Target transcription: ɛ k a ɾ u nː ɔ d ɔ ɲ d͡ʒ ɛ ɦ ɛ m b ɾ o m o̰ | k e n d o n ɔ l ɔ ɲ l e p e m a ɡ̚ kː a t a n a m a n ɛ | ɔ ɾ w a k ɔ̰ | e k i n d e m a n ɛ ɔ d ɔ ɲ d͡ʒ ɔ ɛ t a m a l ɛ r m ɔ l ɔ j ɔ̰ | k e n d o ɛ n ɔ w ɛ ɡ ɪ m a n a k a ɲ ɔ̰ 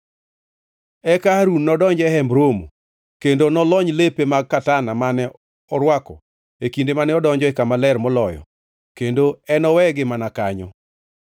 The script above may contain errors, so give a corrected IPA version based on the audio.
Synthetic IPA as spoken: ɛ k a ɾ u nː ɔ d ɔ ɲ d͡ʒ ɛ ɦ ɛ m b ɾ o m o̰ | k e n d o n ɔ l ɔ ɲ l e p e m a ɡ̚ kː a t a n a m a n ɛ | ɔ ɾ w a k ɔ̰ | e k i n d e m a n ɛ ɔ d ɔ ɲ d͡ʒ ɔ ɛ k a m a l ɛ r m ɔ l ɔ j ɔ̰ | k e n d o ɛ n ɔ w ɛ ɡ ɪ m a n a k a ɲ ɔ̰

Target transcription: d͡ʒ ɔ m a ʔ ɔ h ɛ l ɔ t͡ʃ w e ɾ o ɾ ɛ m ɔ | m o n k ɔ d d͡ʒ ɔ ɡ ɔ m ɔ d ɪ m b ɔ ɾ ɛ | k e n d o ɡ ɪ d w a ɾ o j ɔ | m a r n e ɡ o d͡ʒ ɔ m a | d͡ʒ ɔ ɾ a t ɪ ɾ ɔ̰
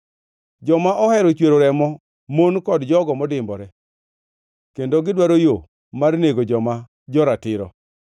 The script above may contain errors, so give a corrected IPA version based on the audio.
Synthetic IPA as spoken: d͡ʒ ɔ m a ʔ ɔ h ɛ ɾ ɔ t͡ʃ w e ɾ o ɾ ɛ m ɔ | m o n k ɔ d d͡ʒ ɔ ɡ ɔ m ɔ d ɪ m b ɔ ɾ ɛ | k e n d o ɡ ɪ d w a ɾ o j o | m a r n e ɡ o d͡ʒ ɔ m a | d͡ʒ ɔ ɾ a t ɪ ɾ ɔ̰

